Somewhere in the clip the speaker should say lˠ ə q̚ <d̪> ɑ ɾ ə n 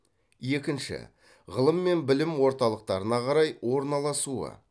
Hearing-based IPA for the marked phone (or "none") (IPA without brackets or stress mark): t̪